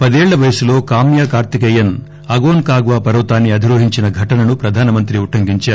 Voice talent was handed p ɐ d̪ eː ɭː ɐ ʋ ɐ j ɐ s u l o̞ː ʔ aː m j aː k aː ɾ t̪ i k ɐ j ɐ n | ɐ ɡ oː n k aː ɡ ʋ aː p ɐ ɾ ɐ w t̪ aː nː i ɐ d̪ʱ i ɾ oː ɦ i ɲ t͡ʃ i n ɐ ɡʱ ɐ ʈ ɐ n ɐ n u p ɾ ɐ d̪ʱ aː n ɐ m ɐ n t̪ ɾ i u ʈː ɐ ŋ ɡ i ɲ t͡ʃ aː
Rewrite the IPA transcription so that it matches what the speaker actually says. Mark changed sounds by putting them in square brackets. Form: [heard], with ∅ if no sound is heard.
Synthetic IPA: p ɐ d̪ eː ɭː ɐ ʋ ɐ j ɐ s u l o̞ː [k] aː m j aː k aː ɾ t̪ i k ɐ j ɐ n | ɐ ɡ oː n k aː ɡ ʋ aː p ɐ ɾ ɐ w t̪ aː nː i ɐ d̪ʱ i ɾ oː ɦ i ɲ t͡ʃ i n ɐ ɡʱ ɐ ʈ ɐ n ɐ n u p ɾ ɐ d̪ʱ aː n ɐ m ɐ n t̪ ɾ i u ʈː ɐ ŋ ɡ i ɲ t͡ʃ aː